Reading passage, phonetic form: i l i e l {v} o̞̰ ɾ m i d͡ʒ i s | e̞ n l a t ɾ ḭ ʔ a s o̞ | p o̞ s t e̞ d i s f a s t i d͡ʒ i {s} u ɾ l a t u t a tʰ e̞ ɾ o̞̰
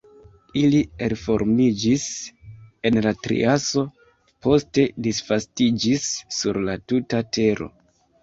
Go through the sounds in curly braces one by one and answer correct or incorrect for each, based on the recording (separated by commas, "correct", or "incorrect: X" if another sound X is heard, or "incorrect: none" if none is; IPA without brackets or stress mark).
incorrect: f, incorrect: sː